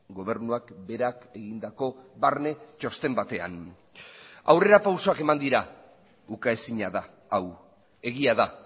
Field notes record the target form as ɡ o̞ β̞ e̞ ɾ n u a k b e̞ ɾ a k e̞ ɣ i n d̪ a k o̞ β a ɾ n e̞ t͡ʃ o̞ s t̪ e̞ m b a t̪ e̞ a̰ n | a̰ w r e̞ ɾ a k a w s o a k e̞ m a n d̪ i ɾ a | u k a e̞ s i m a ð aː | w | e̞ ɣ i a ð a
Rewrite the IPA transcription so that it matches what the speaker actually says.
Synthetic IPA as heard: ɡ o̞ β̞ e̞ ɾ n u a k b e̞ ɾ a k e̞ ɣ i n d̪ a k o̞ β a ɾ n e̞ t͡ʃ o̞ s t̪ e̞ m b a t̪ e̞ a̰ n | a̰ w r e̞ ɾ a p a w s o a k e̞ m a n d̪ i ɾ a | u k a e̞ s i ɲ a ð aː | w | e̞ ɣ i a ð a

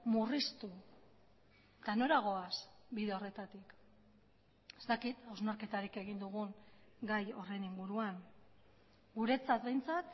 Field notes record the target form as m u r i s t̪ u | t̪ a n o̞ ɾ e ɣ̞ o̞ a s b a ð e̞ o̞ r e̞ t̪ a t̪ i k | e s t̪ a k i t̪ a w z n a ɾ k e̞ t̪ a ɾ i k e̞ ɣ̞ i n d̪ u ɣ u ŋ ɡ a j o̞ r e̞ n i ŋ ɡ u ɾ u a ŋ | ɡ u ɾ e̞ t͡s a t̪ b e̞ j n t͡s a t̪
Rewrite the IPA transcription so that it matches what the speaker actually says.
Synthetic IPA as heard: m u r i s t̪ u | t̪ a n o̞ ɾ a ɣ̞ o̞ a s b i ð e̞ o̞ r e̞ t̪ a t̪ i k | e s t̪ a k i t̪ a w z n a ɾ k e̞ t̪ a ɾ i k e̞ ɣ̞ i n d̪ u ɣ u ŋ ɡ a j o̞ r e̞ n i ŋ ɡ u ɾ u a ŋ | ɡ u ɾ e̞ t͡s a t̪ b e̞ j n t͡s a t̪

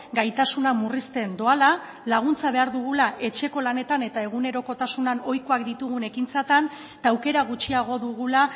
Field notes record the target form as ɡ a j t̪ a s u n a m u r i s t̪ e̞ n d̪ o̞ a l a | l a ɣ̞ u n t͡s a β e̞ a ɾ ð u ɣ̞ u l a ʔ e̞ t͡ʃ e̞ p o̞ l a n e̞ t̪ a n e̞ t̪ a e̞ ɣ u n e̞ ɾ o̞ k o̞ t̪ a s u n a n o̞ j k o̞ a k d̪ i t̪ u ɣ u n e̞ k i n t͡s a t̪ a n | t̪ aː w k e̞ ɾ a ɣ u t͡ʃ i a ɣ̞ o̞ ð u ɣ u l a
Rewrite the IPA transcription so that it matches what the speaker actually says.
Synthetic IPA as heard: ɡ a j t̪ a s u n a m u r i s t̪ e̞ n d̪ o̞ a l a | l a ɣ̞ u n t͡s a β e̞ a ɾ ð u ɣ̞ u l a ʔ e̞ t͡ʃ e̞ k o̞ l a n e̞ t̪ a n e̞ t̪ a e̞ ɣ u n e̞ ɾ o̞ k o̞ t̪ a s u n a n o̞ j k o̞ a k d̪ i t̪ u ɣ u n e̞ k i n t͡s a t̪ a n | t̪ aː w k e̞ ɾ a ɣ u t͡ʃ i a ɣ̞ o̞ ð u ɣ u l a

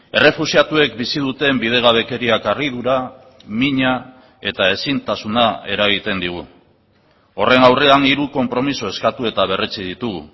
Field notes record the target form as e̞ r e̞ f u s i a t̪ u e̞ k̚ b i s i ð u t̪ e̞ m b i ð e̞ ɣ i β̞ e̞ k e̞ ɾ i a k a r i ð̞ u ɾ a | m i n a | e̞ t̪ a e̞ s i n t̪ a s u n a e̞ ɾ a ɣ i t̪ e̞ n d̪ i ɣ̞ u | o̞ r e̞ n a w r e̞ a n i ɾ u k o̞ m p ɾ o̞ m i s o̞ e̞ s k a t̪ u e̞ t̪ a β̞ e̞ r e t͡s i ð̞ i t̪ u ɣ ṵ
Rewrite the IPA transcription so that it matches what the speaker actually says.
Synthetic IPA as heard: e̞ r e̞ f u s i a t̪ u e̞ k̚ b i s i ð u t̪ e̞ m b i ð e̞ ɣ a β̞ e̞ k e̞ ɾ i a k a r i ð̞ u ɾ a | m i ɲ a | e̞ t̪ a e̞ s i n t̪ a s u n a e̞ ɾ a ɣ i t̪ e̞ n d̪ i ɣ̞ u | o̞ r e̞ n a w r e̞ a n i ɾ u k o̞ m p ɾ o̞ m i s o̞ e̞ s k a t̪ u e̞ t̪ a β̞ e̞ r e t͡s i ð̞ i t̪ u ɣ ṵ

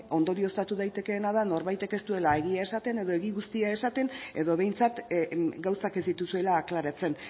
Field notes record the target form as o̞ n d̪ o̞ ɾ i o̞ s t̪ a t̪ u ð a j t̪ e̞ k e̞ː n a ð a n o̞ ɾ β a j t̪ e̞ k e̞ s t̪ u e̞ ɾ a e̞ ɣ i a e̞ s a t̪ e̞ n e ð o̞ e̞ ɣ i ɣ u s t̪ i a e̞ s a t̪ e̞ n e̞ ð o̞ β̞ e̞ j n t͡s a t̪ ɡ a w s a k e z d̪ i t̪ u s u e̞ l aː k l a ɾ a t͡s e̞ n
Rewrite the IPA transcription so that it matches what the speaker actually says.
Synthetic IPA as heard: o̞ n d̪ o̞ ɾ i o̞ s t̪ a t̪ u ð a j t̪ e̞ k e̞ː n a ð a n o̞ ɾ β a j t̪ e̞ k e̞ s t̪ u e̞ l a e̞ ɣ i a e̞ s a t̪ e̞ n e ð o̞ e̞ ɣ i ɣ u s t̪ i a e̞ s a t̪ e̞ n e̞ ð o̞ β̞ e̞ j n t͡s a t̪ ɡ a w s a k e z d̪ i t̪ u s u e̞ l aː k l a ɾ a t͡s e̞ n

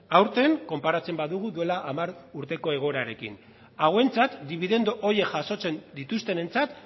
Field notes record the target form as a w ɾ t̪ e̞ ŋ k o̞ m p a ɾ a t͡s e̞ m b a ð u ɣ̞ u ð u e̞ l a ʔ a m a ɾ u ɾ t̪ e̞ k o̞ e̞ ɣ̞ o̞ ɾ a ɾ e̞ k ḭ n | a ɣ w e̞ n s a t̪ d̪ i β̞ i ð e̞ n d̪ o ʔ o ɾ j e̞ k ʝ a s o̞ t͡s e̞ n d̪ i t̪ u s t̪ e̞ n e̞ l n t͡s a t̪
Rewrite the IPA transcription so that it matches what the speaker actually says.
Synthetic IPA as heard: a w ɾ t̪ e̞ ŋ k o̞ m p a ɾ a t͡s e̞ m b a ð u ɣ̞ u ð u e̞ l a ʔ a m a ɾ u ɾ t̪ e̞ k o̞ e̞ ɣ̞ o̞ ɾ a ɾ e̞ k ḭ n | a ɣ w e̞ n t͡s a t̪ d̪ i β̞ i ð e̞ n d̪ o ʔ o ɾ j e̞ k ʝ a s o̞ t͡s e̞ n d̪ i t̪ u s t̪ e̞ n e̞ n t͡s a t̪

